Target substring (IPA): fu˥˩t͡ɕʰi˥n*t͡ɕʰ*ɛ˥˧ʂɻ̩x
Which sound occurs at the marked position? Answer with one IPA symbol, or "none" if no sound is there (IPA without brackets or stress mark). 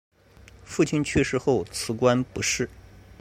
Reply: t͡ɕʰ